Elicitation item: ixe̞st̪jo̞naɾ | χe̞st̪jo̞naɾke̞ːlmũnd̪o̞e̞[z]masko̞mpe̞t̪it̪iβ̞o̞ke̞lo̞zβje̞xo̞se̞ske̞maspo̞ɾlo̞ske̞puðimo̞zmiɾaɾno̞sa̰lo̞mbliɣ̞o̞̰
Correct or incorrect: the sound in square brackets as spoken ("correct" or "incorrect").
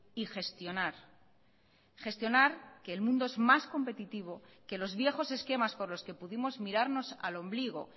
correct